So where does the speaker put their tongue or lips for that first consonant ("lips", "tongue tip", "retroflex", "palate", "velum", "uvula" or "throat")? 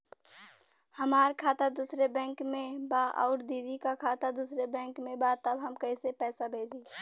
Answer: throat